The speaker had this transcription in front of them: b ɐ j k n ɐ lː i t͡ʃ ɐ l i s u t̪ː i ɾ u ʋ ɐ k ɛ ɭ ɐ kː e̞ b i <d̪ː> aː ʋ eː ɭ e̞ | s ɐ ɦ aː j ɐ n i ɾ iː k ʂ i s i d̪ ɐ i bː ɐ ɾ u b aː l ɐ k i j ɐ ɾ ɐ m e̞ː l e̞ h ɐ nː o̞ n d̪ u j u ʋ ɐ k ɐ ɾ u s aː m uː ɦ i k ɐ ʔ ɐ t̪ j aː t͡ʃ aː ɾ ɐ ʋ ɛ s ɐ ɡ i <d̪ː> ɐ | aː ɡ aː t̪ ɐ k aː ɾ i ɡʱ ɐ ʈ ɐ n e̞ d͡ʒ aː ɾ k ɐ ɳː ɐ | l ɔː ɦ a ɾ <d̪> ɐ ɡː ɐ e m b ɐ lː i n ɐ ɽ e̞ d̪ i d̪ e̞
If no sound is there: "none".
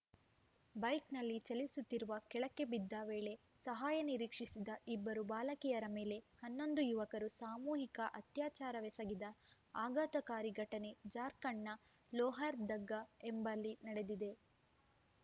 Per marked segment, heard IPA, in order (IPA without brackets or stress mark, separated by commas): d̪ː, d̪, d̪